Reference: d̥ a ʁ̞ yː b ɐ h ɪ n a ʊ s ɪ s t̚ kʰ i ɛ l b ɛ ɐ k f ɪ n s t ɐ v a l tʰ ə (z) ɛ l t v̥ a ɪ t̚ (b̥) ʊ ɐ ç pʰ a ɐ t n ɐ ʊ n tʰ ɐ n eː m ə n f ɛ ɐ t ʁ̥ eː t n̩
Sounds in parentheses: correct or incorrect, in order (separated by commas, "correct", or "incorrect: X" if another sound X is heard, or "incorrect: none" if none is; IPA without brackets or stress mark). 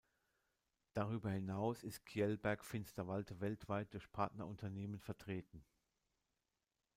incorrect: v, incorrect: d̥